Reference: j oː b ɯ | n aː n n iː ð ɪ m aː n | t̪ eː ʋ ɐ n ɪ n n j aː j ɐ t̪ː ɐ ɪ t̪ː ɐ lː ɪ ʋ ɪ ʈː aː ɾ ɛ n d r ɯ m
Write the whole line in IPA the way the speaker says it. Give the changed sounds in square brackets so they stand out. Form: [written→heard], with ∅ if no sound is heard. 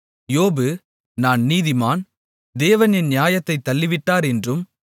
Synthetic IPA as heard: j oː b ɯ | n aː n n iː ð ɪ m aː n | [t̪→d̪] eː ʋ ɐ n ɪ n n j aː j ɐ t̪ː ɐ ɪ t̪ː ɐ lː ɪ ʋ ɪ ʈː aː ɾ ɛ n d r ɯ m